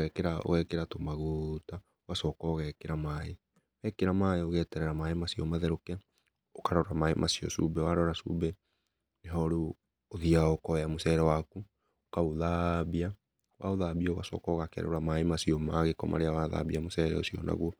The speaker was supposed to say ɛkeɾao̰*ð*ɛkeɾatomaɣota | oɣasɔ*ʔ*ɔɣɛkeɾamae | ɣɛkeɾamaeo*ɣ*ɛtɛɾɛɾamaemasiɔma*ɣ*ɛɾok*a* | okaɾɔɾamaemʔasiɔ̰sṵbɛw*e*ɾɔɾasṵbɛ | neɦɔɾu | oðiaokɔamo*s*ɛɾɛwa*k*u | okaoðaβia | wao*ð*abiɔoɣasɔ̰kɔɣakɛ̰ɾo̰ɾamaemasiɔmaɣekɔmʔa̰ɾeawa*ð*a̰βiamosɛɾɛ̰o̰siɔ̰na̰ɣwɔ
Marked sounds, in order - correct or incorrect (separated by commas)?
incorrect, incorrect, correct, incorrect, incorrect, incorrect, correct, correct, correct, correct